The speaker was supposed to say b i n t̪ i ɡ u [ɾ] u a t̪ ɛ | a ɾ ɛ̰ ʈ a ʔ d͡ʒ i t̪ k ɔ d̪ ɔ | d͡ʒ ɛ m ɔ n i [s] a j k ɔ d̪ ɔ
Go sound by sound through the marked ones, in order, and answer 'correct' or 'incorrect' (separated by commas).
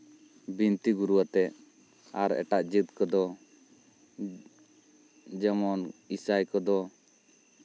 correct, correct